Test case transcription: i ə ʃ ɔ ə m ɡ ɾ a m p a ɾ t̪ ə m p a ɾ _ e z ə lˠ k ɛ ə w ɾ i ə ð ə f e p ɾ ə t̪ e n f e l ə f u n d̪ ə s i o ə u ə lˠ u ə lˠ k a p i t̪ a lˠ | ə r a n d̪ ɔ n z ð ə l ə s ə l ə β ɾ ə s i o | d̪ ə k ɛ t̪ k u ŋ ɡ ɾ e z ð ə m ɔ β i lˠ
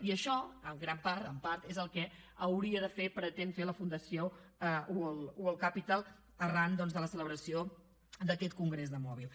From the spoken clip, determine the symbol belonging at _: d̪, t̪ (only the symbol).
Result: t̪